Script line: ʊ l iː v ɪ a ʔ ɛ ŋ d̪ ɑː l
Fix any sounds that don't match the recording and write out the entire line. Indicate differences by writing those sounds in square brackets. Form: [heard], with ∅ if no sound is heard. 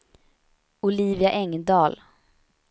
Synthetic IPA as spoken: ʊ l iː v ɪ a ʔ ɛ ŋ d̪ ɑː l